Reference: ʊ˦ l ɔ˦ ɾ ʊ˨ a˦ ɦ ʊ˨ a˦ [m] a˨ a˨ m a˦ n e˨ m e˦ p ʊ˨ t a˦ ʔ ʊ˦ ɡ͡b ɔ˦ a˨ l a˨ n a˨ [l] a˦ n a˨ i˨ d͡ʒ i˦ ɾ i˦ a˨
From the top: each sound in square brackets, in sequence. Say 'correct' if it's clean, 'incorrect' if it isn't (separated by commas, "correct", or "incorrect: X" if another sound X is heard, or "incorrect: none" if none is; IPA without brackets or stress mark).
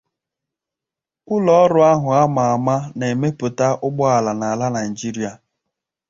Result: correct, correct